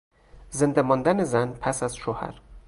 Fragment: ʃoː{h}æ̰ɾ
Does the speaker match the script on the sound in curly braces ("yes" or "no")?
yes